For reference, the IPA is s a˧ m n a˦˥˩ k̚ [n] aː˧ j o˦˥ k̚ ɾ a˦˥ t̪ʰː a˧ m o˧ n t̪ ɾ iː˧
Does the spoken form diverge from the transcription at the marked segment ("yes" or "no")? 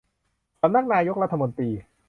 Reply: no